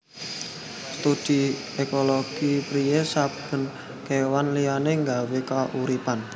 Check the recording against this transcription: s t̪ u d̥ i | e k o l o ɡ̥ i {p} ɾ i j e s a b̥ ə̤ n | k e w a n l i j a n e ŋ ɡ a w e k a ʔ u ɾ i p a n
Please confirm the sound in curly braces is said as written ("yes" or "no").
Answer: yes